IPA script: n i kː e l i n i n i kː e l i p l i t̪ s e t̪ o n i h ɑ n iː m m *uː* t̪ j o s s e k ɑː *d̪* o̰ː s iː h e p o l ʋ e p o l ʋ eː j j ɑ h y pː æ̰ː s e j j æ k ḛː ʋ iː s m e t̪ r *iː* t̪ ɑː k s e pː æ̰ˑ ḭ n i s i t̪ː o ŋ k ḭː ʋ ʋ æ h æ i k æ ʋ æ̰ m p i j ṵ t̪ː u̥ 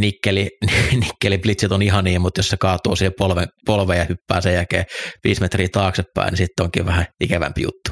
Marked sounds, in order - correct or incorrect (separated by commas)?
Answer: incorrect, incorrect, correct